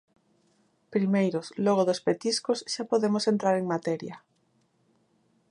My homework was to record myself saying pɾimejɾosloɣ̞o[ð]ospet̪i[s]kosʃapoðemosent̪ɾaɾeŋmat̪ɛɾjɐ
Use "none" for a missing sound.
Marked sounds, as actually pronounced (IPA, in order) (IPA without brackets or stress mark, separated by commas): ð, s